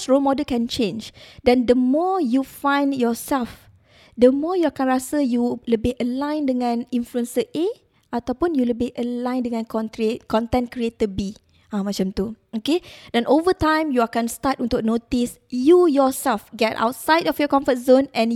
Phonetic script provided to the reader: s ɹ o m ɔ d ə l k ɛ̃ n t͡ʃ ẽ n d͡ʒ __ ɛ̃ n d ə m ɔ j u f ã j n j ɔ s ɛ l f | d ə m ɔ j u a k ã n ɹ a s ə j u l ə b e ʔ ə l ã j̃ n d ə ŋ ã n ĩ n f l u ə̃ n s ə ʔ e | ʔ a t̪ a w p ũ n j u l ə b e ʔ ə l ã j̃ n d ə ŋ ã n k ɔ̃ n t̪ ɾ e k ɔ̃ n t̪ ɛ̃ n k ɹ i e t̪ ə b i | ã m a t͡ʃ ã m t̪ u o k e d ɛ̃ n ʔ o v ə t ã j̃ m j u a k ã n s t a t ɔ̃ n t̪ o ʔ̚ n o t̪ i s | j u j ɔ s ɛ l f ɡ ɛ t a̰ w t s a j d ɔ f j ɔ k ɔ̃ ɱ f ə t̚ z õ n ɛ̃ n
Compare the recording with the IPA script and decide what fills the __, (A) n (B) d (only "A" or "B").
B